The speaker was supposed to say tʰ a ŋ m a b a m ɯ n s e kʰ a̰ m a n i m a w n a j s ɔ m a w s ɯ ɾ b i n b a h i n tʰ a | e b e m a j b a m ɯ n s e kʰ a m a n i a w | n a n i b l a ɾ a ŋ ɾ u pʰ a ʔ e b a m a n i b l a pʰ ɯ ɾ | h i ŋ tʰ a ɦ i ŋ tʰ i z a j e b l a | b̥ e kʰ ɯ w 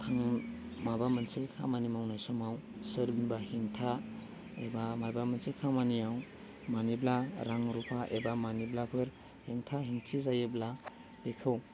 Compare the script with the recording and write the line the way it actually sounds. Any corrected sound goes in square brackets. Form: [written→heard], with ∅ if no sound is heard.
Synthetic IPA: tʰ a ŋ m a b a m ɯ n s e kʰ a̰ m a n i m a w n a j s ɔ m a w s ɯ ɾ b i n b a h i [n→ŋ] tʰ a | e b [e→a] m a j b a m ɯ n s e kʰ a m a n i a w | [n→m] a n i b l a ɾ a ŋ ɾ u pʰ a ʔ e b a m a n i b l a pʰ ɯ ɾ | h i ŋ tʰ a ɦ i ŋ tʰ i z a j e b l a | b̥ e kʰ ɯ w